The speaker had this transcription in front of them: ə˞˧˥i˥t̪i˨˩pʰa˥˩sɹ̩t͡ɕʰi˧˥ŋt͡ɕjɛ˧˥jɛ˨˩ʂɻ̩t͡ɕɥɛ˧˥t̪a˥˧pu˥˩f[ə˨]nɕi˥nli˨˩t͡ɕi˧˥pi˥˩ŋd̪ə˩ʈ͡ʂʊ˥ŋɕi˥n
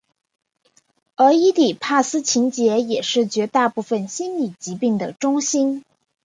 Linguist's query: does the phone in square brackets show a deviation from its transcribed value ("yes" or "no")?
no